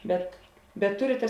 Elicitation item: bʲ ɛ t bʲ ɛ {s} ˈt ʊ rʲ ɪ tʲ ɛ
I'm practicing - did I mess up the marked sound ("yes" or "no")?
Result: yes